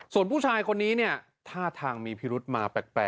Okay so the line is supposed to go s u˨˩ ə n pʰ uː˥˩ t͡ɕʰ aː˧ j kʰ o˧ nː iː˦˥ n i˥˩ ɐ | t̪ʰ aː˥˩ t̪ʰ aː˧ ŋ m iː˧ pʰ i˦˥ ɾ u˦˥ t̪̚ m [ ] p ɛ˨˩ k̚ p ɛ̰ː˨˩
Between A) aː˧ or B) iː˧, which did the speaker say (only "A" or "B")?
A